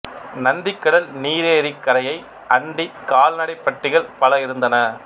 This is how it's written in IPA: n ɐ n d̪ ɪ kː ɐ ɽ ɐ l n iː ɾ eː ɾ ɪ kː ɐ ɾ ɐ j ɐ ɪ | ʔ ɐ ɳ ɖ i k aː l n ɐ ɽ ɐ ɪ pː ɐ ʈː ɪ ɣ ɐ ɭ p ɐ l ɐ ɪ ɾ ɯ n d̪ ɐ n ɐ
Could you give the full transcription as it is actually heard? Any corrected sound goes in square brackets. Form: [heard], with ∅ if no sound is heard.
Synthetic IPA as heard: n ɐ n d̪ ɪ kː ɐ ɽ ɐ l n iː ɾ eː ɾ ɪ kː ɐ ɾ ɐ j ɐ ɪ | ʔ ɐ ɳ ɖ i k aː l n ɐ ɽ ɐ ɪ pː ɐ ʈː ɪ ɣ ɐ ɭ p ɐ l ɐ ɪ ɾ ɯ n d̪ ɐ n ɐ